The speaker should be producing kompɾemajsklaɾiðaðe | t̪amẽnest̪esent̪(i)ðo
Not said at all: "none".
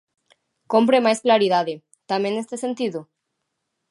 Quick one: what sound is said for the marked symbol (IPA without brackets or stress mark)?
i